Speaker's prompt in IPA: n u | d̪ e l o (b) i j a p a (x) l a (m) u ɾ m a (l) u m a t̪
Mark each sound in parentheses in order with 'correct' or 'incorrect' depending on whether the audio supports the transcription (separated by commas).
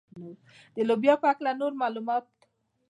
correct, incorrect, incorrect, correct